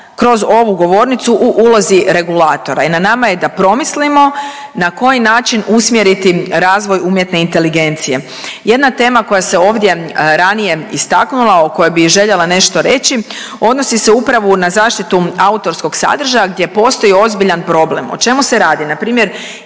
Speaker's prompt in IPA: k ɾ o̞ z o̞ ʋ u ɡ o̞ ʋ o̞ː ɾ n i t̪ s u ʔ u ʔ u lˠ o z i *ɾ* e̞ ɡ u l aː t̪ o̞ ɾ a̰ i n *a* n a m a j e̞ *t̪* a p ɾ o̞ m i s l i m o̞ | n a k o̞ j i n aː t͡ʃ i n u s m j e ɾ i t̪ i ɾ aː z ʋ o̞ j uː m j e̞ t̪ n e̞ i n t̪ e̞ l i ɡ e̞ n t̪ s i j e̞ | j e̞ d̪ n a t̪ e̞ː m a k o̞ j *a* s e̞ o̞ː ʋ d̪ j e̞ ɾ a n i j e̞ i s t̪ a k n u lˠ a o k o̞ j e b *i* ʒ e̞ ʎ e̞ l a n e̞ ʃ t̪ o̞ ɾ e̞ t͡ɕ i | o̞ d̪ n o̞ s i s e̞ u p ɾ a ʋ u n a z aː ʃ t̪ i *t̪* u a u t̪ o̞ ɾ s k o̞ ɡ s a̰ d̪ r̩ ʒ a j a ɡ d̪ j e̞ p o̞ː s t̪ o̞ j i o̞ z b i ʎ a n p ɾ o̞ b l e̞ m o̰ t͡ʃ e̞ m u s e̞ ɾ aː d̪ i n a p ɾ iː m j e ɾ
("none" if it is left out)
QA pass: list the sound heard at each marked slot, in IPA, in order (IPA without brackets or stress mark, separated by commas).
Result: ɾ, a, d̪, a, i, t̪